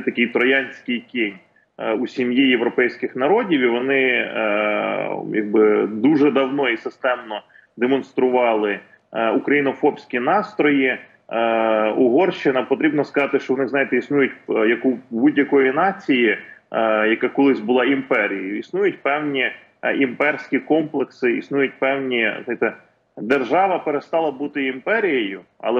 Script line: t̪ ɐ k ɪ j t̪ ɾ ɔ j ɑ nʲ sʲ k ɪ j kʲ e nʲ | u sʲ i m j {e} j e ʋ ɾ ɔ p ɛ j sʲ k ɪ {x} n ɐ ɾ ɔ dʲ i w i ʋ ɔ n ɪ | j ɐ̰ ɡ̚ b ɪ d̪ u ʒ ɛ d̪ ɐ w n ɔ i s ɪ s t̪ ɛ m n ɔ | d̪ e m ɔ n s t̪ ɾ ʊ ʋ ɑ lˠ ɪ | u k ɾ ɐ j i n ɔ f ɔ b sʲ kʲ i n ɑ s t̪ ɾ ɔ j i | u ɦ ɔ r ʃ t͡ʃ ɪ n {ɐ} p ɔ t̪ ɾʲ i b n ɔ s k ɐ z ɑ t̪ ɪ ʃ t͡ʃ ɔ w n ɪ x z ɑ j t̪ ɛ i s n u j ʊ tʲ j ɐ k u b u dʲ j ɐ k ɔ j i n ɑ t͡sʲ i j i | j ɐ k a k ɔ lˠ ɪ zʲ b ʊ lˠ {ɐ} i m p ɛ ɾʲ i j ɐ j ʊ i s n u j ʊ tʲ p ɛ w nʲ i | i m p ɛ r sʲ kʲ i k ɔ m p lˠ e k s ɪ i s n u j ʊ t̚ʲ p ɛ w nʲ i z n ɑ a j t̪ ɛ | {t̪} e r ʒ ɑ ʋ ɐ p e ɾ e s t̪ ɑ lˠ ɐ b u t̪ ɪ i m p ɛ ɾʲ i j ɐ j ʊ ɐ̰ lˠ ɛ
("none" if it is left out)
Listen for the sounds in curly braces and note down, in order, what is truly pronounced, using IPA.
i, x, ɐ, ɑ, d̪

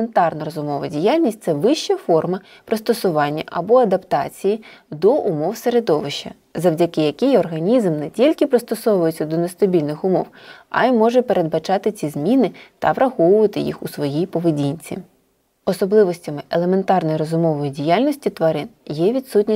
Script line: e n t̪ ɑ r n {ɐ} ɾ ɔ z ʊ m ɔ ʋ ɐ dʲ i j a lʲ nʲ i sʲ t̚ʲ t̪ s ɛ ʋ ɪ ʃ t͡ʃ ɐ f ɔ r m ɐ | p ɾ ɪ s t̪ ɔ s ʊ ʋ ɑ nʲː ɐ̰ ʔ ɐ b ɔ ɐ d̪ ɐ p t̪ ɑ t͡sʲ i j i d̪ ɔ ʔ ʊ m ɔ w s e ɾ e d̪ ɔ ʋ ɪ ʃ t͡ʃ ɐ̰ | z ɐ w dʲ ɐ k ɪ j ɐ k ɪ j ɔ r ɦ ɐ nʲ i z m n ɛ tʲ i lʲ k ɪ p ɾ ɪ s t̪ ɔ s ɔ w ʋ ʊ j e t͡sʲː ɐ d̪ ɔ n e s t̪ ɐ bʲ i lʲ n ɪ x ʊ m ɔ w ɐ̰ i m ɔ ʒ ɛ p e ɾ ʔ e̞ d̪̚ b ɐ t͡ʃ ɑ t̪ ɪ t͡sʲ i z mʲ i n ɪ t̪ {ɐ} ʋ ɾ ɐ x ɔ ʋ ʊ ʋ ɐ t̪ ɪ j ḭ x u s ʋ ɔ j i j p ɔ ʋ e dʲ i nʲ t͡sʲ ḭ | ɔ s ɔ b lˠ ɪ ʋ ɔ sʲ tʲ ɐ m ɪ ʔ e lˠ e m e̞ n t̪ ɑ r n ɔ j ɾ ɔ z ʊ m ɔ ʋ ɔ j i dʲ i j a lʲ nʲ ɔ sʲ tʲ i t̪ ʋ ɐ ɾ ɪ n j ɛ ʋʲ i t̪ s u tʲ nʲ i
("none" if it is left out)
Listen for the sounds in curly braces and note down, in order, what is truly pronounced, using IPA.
ɐ, ɐ

